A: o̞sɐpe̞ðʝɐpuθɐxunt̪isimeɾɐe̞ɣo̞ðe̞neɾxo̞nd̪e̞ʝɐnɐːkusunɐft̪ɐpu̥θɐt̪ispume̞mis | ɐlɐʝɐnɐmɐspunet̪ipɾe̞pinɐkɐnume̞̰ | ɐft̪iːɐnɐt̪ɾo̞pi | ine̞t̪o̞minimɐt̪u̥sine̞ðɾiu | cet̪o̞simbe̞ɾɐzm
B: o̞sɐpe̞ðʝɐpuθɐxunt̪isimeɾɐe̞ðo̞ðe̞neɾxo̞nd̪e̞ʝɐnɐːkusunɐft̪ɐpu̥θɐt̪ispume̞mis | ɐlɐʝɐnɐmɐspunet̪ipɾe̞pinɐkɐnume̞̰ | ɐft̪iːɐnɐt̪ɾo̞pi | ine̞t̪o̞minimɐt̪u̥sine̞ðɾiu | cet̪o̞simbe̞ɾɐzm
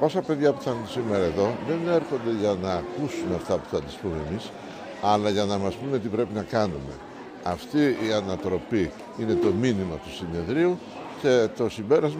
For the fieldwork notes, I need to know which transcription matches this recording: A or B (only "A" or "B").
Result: B